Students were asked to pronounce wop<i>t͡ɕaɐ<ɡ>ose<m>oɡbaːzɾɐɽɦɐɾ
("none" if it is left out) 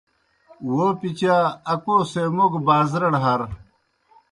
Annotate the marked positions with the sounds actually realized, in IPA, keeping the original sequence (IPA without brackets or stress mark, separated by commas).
i, k, m